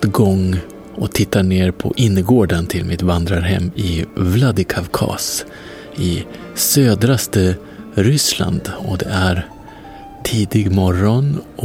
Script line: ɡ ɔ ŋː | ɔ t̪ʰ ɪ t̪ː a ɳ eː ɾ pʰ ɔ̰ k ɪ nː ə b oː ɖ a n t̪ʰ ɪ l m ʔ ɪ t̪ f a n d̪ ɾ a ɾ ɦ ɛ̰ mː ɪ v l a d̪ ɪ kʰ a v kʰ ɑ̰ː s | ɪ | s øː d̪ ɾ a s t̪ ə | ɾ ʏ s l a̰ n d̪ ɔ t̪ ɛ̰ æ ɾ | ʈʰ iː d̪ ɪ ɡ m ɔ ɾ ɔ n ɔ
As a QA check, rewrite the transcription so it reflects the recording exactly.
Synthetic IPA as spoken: ɡ ɔ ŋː | ɔ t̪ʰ ɪ t̪ː a ɳ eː ɾ pʰ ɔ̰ ʔ ɪ nː ə ɡ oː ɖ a n t̪ʰ ɪ l m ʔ ɪ t̪ v a n d̪ ɾ a ɾ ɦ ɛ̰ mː ɪ v l a d̪ ɪ kʰ a v kʰ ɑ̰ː s | ɪ | s øː d̪ ɾ a s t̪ ə | ɾ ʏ s l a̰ n d̪ ɔ d̪ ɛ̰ æ ɾ | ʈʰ iː d̪ ɪ ɡ m ɔ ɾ ɔ n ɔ